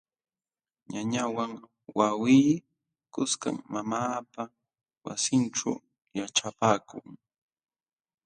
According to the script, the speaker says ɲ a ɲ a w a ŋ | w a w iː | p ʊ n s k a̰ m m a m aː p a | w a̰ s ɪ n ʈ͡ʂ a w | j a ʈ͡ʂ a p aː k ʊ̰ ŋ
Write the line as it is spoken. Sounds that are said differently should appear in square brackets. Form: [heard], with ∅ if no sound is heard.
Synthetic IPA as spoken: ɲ a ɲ a w a ŋ | w a w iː | [k] ʊ [∅] s k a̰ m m a m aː p a | w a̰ s ɪ n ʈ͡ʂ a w | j a ʈ͡ʂ a p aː k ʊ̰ ŋ